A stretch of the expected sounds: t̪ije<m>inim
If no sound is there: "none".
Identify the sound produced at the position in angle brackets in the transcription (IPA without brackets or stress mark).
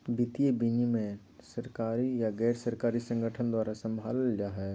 b